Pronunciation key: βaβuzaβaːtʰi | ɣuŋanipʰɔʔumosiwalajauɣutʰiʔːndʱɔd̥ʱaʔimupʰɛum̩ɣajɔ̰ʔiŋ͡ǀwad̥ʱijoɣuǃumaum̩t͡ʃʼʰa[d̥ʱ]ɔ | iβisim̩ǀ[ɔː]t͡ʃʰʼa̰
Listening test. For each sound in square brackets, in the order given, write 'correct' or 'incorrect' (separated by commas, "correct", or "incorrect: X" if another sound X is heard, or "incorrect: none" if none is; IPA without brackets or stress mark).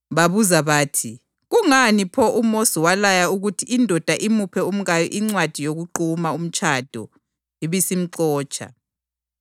correct, correct